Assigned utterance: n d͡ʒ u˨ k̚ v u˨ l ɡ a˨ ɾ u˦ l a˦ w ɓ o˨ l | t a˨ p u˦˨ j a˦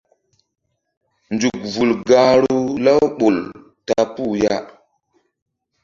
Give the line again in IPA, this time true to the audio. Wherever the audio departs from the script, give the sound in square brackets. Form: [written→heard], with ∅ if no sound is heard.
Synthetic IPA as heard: n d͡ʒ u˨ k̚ v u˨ l ɡ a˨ ɾ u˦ l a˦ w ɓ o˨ l | t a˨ p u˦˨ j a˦

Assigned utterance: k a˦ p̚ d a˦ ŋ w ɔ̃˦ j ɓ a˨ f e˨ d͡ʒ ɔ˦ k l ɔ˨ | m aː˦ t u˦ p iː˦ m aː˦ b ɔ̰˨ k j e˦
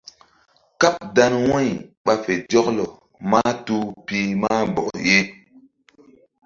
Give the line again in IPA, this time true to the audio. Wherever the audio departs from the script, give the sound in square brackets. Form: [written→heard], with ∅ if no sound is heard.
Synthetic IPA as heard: k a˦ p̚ d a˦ [ŋ→n] w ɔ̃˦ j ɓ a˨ f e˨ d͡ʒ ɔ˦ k l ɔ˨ | m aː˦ t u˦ p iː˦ m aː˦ b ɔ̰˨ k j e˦

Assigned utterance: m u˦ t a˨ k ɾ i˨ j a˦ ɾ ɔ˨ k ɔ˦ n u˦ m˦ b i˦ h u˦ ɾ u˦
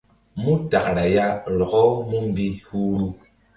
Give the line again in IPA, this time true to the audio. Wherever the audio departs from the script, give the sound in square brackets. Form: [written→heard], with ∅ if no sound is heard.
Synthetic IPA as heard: m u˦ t a˨ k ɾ [i˨→a˨] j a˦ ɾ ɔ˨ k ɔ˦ [n→m] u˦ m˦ b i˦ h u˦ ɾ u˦

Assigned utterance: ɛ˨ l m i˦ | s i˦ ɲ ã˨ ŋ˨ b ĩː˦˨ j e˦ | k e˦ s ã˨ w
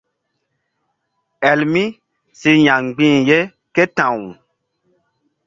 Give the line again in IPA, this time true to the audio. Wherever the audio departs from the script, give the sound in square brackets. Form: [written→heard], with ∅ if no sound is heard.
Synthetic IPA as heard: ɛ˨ l m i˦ | s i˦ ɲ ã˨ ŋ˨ [b→ɡ͡b] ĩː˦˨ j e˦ | k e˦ [s→t] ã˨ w

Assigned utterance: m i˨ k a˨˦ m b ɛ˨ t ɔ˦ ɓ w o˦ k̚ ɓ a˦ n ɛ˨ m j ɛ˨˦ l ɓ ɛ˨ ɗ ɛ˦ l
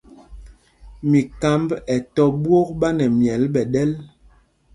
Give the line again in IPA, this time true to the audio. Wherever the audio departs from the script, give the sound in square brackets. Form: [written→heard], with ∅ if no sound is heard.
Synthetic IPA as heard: m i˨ k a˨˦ m b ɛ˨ t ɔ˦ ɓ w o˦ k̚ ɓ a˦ n ɛ˨ m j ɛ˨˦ l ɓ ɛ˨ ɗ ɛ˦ l

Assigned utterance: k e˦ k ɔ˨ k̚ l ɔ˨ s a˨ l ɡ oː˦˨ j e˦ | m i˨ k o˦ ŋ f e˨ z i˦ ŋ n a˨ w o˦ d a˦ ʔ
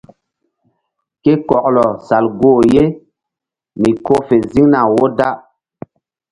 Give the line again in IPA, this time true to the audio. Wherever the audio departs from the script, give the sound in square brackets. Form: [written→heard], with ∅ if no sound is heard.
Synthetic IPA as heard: k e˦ k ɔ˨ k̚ l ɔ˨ s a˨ l ɡ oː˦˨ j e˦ | m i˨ k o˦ [ŋ→∅] f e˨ z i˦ ŋ n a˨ w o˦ d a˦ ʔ

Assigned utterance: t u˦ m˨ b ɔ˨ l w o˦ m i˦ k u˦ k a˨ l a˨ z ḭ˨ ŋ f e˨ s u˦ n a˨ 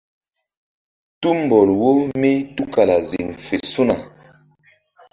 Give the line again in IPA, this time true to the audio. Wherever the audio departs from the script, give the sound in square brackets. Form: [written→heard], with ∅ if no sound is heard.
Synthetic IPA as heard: t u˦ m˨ b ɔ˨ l w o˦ m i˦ [k→t] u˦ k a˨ l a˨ z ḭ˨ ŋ f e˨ s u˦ n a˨

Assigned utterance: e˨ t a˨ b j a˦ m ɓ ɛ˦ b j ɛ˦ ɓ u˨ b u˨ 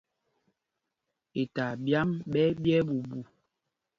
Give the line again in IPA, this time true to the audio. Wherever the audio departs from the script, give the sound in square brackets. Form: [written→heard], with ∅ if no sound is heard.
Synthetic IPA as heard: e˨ t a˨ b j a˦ m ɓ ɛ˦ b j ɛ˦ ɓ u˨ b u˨

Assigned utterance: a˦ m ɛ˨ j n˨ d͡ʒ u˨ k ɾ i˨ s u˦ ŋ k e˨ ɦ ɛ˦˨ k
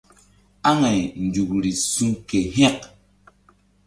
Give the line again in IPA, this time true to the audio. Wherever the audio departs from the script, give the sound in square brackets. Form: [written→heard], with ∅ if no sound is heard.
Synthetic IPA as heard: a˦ [m→ŋ] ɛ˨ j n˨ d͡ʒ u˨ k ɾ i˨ s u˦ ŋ k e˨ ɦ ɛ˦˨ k

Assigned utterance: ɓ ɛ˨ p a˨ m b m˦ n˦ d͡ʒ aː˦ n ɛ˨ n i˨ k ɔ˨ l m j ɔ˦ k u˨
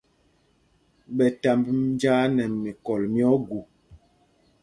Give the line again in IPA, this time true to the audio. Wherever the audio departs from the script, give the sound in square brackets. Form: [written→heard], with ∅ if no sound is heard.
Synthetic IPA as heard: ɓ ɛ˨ [p→t] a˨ m b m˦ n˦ d͡ʒ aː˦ n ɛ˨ [n→m] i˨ k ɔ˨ l m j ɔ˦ [k→ɡ] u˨

